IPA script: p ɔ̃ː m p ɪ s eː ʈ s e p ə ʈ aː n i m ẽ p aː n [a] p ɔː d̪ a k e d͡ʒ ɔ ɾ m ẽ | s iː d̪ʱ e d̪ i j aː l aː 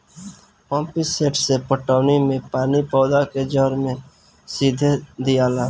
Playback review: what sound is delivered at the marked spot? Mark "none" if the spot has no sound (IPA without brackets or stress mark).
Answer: i